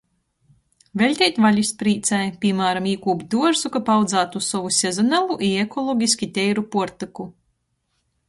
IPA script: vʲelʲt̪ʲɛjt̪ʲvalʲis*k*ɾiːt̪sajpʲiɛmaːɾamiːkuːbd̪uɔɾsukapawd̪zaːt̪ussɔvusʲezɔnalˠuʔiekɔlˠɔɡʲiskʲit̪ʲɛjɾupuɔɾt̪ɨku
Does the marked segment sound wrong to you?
yes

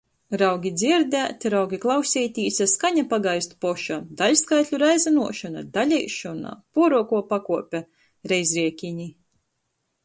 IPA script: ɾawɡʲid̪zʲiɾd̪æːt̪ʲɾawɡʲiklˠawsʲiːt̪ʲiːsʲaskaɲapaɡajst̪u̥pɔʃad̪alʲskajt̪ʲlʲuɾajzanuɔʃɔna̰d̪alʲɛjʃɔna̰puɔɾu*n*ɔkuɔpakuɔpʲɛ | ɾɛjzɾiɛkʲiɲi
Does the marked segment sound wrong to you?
yes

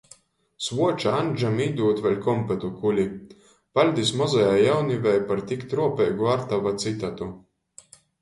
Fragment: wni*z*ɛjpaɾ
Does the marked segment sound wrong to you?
yes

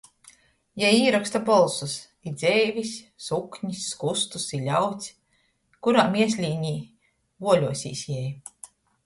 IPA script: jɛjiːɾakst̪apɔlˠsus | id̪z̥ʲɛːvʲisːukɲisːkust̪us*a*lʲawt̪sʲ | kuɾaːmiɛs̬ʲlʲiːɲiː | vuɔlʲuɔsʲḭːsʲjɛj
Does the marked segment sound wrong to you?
yes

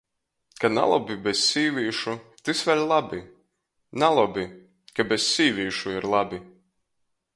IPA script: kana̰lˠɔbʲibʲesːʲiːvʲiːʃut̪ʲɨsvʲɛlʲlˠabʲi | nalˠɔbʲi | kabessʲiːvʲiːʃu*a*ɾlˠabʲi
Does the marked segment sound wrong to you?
yes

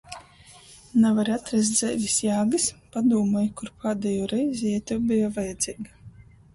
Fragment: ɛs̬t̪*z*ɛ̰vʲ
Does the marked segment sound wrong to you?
no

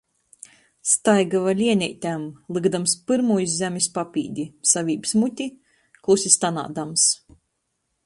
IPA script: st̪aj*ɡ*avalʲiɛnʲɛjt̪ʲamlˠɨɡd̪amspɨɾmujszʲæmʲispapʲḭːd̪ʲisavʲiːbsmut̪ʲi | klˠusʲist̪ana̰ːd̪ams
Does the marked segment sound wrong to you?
no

